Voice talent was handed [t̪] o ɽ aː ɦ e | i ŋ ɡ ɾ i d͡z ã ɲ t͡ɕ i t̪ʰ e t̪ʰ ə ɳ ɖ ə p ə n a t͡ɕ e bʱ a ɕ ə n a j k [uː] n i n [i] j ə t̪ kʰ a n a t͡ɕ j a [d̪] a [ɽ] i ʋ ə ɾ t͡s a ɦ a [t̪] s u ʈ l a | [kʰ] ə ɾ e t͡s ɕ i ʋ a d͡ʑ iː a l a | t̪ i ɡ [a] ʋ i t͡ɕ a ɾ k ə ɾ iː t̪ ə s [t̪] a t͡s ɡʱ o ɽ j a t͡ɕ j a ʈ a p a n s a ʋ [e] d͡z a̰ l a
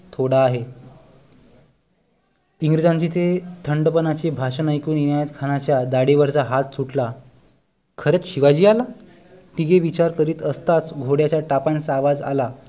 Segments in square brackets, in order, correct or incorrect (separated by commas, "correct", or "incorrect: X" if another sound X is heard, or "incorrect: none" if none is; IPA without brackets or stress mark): incorrect: t̪ʰ, correct, incorrect: a, correct, correct, correct, correct, incorrect: e, correct, incorrect: a